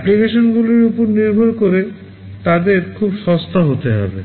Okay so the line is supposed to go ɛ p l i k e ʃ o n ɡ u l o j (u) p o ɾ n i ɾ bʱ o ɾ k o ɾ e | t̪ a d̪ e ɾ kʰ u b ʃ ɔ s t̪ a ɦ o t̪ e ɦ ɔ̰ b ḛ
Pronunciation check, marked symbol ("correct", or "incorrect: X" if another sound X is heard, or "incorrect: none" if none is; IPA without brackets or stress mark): correct